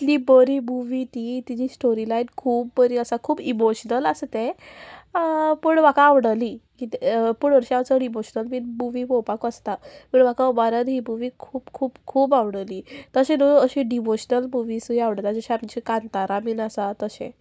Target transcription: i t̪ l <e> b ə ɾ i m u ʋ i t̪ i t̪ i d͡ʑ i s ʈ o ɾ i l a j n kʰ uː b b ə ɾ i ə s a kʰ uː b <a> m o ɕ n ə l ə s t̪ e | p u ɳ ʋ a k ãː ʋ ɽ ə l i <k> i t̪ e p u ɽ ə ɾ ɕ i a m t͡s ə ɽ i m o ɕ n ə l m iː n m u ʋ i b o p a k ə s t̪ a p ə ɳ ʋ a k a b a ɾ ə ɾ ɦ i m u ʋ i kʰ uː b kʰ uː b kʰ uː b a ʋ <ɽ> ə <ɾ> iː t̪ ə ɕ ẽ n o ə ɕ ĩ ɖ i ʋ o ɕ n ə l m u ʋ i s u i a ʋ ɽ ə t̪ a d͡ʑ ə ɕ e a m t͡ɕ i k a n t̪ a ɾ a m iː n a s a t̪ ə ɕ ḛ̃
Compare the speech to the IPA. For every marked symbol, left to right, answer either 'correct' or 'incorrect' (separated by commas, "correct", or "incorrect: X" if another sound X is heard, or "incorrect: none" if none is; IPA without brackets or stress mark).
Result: incorrect: i, incorrect: i, correct, correct, incorrect: l